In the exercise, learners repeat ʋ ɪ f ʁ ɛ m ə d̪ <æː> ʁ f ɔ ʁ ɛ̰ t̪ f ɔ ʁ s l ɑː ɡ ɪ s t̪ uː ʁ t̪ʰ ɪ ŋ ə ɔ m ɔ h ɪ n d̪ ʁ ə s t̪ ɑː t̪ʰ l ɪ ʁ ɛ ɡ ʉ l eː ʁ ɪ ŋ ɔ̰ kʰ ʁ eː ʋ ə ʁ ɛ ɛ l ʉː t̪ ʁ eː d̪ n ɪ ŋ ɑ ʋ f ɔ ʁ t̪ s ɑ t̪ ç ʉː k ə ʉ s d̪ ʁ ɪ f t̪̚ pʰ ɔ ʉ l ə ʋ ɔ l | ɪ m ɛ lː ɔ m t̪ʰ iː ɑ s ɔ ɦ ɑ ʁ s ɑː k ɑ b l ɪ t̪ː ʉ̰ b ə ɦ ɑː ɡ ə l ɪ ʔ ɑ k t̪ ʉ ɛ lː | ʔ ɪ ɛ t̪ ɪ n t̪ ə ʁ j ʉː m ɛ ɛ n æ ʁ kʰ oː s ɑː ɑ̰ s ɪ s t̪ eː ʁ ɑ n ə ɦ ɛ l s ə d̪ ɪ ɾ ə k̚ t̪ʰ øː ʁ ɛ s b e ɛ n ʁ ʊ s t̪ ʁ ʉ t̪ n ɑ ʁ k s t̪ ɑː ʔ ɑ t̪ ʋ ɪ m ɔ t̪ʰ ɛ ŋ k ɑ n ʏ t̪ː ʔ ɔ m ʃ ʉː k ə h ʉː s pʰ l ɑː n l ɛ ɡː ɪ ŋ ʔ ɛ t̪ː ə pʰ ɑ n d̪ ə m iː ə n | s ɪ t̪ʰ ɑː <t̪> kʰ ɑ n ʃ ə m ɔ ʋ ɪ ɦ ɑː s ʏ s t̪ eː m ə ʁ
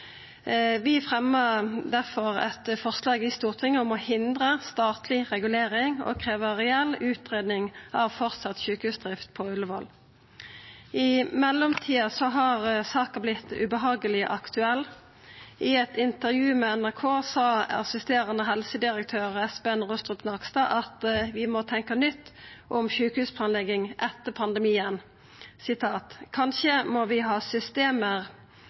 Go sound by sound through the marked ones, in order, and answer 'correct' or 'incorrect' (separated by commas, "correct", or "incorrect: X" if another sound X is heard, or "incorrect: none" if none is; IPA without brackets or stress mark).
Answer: incorrect: æ, correct